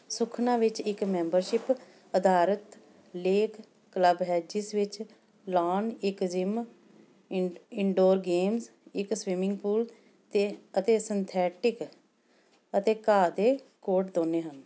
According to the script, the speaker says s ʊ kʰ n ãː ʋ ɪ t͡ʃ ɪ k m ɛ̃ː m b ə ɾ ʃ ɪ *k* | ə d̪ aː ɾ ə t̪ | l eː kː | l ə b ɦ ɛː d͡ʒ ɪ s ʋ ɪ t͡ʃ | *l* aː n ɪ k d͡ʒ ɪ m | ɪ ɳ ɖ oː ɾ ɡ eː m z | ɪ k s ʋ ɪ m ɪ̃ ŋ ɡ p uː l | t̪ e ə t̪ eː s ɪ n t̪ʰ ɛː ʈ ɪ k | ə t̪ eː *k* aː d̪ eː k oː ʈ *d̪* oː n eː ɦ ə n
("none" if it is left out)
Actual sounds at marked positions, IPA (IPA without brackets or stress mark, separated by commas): p, l, k, d̪